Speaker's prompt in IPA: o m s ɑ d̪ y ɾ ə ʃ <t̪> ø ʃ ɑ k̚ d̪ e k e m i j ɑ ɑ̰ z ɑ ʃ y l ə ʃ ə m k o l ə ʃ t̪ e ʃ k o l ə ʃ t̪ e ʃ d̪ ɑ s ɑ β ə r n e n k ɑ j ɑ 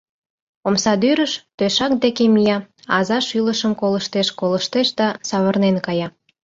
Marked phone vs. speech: correct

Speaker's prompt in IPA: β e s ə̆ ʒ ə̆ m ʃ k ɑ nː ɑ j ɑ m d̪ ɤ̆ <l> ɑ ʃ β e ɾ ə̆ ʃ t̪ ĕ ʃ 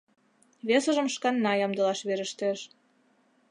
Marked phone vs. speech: correct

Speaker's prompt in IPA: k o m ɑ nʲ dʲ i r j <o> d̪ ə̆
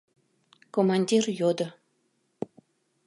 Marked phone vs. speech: correct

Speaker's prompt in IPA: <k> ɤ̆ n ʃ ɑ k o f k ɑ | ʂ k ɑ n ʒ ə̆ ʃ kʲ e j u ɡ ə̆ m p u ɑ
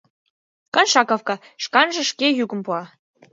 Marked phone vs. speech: correct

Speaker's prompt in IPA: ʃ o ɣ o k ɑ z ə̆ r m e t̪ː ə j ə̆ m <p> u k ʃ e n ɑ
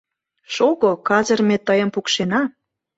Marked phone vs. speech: correct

